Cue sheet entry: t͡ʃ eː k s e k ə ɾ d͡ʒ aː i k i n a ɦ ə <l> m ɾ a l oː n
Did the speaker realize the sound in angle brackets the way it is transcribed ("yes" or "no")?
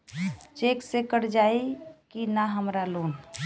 no